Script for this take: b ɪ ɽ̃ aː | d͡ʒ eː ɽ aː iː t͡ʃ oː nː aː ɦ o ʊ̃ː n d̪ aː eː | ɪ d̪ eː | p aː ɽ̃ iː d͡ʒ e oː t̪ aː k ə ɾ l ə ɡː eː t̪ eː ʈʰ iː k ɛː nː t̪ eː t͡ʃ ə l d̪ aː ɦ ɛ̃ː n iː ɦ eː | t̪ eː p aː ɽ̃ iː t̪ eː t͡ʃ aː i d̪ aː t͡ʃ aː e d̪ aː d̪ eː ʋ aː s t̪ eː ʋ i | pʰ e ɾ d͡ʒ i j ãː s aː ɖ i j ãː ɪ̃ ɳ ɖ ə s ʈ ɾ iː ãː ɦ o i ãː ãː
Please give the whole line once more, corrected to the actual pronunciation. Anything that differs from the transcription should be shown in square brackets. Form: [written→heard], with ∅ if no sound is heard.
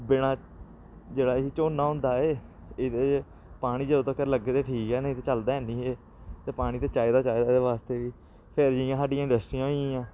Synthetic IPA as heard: b ɪ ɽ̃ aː | d͡ʒ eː ɽ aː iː t͡ʃ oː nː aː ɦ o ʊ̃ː n d̪ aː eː | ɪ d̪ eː | p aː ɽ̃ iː d͡ʒ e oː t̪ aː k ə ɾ l ə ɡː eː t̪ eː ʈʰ iː k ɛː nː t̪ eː t͡ʃ ə l d̪ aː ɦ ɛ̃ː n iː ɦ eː | t̪ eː p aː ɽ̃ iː t̪ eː t͡ʃ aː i d̪ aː t͡ʃ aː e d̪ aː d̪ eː ʋ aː s t̪ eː ʋ [i→iː] | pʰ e ɾ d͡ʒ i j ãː s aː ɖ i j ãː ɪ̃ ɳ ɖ ə s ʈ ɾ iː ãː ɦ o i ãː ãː